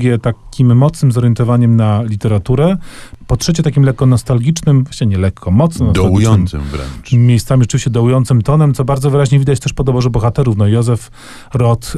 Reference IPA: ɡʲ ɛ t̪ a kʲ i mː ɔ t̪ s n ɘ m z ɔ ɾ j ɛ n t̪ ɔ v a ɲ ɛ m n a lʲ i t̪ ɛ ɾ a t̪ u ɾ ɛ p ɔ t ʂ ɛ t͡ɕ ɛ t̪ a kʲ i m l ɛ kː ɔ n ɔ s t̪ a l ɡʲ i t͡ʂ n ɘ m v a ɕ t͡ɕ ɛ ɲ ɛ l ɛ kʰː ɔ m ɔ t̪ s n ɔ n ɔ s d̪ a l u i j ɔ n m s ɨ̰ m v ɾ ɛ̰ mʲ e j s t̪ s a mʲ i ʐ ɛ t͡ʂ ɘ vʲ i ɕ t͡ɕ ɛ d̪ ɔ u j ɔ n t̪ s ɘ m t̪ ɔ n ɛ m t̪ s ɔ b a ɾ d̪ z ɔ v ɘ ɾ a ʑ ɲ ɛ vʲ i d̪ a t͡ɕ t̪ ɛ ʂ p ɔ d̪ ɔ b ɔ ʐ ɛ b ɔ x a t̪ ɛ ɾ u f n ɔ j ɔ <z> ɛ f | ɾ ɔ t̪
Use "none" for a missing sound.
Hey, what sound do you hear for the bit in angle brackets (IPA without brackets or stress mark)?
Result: z